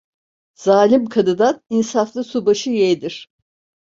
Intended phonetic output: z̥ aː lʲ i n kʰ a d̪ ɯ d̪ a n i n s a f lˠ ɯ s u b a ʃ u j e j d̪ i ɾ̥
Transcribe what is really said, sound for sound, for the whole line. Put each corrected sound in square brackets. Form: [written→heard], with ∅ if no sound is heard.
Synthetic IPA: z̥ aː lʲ i [n→m] kʰ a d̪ ɯ d̪ a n i n s a f lˠ ɯ s u b a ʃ [u→ɯ] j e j d̪ i ɾ̥